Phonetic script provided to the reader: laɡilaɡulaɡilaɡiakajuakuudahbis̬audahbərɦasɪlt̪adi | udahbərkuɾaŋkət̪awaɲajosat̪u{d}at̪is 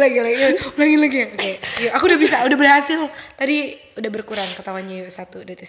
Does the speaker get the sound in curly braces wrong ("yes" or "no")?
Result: no